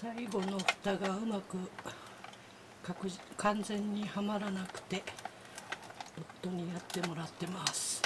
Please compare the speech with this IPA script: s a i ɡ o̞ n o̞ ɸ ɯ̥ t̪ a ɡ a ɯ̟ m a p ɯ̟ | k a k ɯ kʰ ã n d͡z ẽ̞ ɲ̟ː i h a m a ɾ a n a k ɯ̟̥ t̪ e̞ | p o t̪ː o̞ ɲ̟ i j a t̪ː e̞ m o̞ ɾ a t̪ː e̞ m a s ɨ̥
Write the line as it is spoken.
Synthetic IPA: s a i ɡ o̞ n o̞ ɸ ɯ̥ t̪ a ɡ a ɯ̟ m a k ɯ̟ | k a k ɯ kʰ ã n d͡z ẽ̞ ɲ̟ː i h a m a ɾ a n a k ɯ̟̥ t̪ e̞ | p o t̪ː o̞ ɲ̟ i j a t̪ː e̞ m o̞ ɾ a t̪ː e̞ m a s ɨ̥